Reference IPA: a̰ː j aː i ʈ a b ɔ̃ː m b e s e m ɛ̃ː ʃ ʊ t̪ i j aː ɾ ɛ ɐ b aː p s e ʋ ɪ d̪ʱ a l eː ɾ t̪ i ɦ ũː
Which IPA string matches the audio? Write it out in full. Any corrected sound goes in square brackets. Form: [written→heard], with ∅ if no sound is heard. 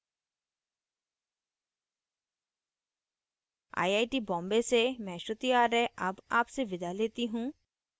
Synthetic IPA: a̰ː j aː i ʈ [a→i] b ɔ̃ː m b e s e m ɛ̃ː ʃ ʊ t̪ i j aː ɾ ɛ ɐ b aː p s e ʋ ɪ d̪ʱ a l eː [ɾ→∅] t̪ i ɦ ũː

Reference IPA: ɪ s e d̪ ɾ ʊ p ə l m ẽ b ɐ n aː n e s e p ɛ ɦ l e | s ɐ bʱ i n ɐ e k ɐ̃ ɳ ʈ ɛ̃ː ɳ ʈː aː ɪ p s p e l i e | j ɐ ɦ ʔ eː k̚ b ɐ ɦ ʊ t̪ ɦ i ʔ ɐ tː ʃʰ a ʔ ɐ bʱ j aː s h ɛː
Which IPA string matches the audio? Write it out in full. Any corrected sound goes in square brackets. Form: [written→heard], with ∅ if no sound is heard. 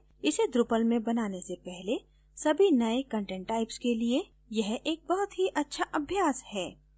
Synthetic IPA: ɪ s e d̪ ɾ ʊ p ə l m ẽ b ɐ n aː n e s e p ɛ ɦ l e | s ɐ bʱ i n ɐ e k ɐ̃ ɳ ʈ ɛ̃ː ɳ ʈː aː ɪ p s [p→k] e l i e | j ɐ ɦ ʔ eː k̚ b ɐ ɦ ʊ t̪ ɦ i ʔ ɐ tː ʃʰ a ʔ ɐ bʱ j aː s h ɛː

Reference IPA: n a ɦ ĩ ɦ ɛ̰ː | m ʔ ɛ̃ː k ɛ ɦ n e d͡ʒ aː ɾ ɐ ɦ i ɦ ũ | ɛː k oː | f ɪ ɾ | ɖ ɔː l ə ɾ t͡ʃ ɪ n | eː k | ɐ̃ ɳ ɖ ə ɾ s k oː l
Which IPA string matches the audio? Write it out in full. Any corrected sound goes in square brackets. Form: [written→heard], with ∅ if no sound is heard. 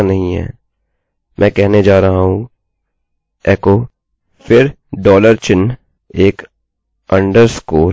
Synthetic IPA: n [a→ɐ] ɦ ĩ ɦ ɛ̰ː | m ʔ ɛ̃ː k ɛ ɦ n e d͡ʒ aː ɾ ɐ ɦ [i→a] ɦ ũ | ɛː k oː | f ɪ ɾ | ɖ ɔː l ə ɾ t͡ʃ ɪ n | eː k | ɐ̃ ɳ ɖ ə ɾ s k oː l

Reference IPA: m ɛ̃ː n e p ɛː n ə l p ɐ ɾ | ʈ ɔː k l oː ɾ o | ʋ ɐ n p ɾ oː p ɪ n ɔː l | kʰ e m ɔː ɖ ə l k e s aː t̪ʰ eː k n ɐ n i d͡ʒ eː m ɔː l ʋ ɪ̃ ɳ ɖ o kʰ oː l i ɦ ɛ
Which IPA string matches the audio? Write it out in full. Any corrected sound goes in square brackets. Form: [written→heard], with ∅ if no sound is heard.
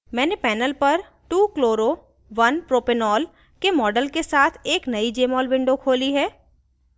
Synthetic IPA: m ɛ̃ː n e p ɛː n ə l p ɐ ɾ | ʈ [ɔː→uː] k l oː ɾ o | ʋ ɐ n p ɾ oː p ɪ n ɔː l | [kʰ→k] e m ɔː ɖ ə l k e s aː t̪ʰ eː k n ɐ [n→∅] i d͡ʒ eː m ɔː l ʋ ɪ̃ ɳ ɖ o kʰ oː l i ɦ [ɛ→ɛː]

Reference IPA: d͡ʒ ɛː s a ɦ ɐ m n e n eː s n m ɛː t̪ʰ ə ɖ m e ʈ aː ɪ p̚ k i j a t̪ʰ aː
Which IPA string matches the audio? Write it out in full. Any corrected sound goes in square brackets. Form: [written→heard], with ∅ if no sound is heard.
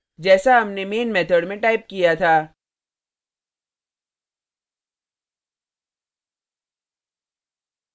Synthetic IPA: d͡ʒ ɛː s a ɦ ɐ m n e [n→m] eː [s→∅] n m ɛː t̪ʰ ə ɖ m [e→ẽ] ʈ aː ɪ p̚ k i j a t̪ʰ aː

